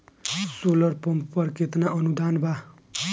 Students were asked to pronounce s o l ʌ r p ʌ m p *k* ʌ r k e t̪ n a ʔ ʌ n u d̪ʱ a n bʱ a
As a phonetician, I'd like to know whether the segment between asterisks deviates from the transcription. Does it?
yes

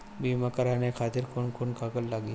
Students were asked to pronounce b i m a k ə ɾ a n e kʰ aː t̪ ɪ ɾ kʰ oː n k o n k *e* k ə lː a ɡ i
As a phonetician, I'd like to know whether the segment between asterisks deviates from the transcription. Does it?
yes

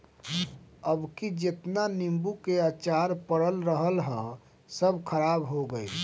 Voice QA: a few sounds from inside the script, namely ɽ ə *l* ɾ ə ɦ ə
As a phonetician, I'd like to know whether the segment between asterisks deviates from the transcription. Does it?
no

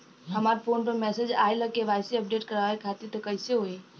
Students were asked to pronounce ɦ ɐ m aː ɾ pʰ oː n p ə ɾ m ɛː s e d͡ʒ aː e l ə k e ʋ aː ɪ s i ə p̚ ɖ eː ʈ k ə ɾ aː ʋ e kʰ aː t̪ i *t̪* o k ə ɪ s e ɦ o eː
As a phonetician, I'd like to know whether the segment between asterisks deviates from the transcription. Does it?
no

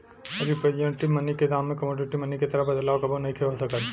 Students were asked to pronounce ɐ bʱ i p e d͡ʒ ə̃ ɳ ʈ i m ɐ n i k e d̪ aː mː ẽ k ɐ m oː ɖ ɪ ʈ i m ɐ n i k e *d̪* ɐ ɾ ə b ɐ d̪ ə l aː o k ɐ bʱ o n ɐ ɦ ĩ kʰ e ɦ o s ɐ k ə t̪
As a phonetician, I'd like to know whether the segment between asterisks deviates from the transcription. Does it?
yes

